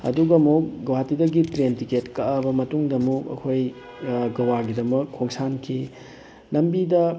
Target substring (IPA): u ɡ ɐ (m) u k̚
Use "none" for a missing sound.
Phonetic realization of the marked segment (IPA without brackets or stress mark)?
m